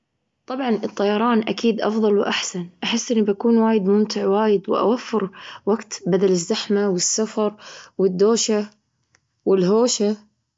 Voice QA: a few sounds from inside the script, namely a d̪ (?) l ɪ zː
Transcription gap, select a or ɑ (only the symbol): a